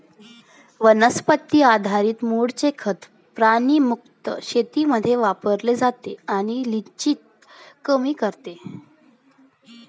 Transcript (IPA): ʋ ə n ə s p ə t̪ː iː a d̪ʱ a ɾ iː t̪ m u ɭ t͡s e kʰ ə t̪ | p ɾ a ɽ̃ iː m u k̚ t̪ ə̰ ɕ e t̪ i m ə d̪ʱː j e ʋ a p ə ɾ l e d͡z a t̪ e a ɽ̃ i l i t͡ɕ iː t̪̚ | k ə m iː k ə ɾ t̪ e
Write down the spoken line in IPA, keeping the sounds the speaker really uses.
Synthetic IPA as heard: ʋ ə n ə s p ə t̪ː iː a d̪ʱ a ɾ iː t̪ m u ɽ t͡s e kʰ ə t̪ | p ɾ a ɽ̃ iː m u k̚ t̪ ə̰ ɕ e t̪ i m ə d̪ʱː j e ʋ a p ə ɾ l e d͡z a t̪ e a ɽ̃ i l i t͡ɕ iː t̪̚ | k ə m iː k ə ɾ t̪ e